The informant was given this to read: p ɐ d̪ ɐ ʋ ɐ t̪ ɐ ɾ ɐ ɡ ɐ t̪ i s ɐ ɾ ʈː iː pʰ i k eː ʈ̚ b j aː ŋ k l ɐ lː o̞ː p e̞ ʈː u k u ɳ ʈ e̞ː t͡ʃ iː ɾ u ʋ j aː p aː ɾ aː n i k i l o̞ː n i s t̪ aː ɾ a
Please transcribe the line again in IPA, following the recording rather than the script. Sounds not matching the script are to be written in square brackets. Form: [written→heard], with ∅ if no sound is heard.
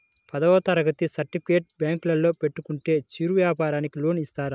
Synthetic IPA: p ɐ d̪ ɐ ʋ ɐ t̪ ɐ ɾ ɐ ɡ ɐ t̪ i s ɐ ɾ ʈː [iː→i] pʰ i k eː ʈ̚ b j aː ŋ k l ɐ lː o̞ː p e̞ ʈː u k u ɳ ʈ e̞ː t͡ʃ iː ɾ u ʋ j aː p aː ɾ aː n i k i l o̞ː n i s t̪ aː ɾ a